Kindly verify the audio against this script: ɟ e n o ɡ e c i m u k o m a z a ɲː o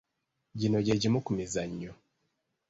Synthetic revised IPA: ɟ i n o ɟ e ɟ i m u k u m i z a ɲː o